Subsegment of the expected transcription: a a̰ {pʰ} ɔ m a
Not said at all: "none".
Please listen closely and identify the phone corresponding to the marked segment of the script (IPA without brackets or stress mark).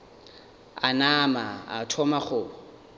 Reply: tʰ